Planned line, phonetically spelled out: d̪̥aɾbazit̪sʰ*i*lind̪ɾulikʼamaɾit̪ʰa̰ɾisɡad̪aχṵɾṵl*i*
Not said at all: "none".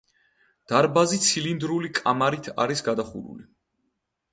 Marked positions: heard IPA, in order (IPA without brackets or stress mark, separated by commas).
i, i